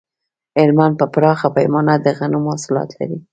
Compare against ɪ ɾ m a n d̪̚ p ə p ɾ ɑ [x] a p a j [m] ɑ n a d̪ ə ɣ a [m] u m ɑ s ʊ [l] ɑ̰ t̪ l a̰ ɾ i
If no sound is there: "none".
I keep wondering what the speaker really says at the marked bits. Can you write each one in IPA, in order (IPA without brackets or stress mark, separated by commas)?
x, m, n, l